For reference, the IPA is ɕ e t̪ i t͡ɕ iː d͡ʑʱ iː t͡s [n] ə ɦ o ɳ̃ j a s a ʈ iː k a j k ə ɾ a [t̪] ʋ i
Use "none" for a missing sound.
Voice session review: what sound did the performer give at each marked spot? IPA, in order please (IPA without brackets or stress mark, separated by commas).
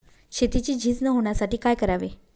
n, none